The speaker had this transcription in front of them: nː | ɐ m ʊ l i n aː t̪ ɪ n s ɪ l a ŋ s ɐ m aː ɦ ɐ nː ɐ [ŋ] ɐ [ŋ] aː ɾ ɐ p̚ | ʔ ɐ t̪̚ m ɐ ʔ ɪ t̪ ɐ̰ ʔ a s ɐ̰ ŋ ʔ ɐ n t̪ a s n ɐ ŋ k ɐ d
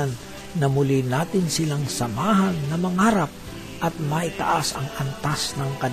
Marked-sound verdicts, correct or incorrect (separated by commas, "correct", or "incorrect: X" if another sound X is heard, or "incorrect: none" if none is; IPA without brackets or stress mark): incorrect: m, correct